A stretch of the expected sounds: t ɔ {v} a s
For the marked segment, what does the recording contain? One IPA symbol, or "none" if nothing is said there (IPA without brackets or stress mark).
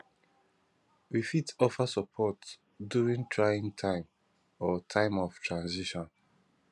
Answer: f